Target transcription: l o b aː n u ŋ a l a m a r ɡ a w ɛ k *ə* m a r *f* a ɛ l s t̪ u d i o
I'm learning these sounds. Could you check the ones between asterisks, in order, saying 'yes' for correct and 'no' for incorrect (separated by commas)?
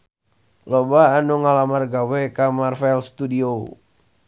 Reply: no, yes